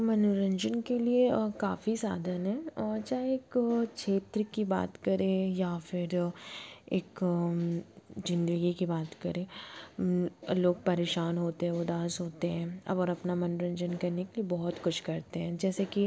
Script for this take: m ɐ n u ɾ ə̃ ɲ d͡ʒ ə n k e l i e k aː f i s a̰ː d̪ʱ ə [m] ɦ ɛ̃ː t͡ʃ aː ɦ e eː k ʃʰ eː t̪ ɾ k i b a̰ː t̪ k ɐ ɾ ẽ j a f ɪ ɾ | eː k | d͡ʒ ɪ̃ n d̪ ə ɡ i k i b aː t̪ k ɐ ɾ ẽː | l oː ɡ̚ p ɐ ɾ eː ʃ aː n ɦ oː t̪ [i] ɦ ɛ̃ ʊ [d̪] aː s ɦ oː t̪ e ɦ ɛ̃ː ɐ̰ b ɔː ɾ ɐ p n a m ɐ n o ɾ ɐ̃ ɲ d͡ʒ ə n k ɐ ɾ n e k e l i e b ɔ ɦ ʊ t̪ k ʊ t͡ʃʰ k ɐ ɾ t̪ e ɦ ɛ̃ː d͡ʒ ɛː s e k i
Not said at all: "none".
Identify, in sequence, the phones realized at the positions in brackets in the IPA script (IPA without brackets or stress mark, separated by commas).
n, e, d̪